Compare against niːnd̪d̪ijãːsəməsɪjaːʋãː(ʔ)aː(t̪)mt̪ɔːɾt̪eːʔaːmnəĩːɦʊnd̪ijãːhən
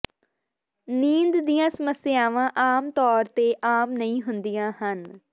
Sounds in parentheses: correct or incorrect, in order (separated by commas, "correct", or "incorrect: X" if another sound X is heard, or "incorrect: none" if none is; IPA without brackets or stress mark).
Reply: correct, incorrect: none